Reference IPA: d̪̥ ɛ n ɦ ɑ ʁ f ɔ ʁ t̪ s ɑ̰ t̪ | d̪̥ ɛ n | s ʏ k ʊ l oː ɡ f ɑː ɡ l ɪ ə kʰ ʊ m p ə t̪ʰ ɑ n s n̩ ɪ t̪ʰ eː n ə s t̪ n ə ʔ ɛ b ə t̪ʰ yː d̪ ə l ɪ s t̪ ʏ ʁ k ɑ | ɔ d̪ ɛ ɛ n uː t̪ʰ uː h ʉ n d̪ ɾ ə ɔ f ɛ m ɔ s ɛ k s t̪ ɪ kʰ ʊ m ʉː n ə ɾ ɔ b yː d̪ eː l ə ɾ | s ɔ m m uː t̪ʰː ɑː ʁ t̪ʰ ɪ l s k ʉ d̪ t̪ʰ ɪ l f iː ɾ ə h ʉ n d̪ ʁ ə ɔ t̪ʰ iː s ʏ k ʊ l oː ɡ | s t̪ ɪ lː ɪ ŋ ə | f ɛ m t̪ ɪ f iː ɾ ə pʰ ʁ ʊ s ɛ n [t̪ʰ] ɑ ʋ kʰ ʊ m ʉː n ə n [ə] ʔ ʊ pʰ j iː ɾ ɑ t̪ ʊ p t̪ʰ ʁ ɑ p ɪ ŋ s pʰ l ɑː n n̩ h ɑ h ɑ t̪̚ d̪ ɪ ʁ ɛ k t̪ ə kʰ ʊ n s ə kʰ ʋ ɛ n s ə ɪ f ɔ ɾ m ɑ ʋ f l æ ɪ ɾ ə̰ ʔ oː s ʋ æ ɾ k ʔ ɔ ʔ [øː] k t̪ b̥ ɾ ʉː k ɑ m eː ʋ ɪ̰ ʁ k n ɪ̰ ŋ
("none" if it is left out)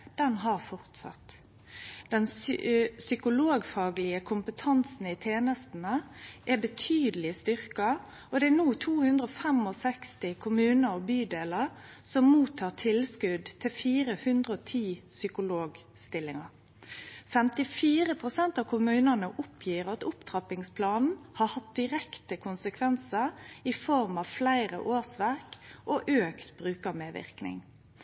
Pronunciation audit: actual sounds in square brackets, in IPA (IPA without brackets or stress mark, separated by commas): t̪, ə, øː